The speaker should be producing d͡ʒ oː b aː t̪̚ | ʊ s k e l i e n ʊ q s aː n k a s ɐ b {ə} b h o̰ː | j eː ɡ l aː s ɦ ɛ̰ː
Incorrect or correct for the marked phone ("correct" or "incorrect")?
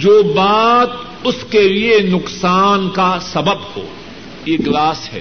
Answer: correct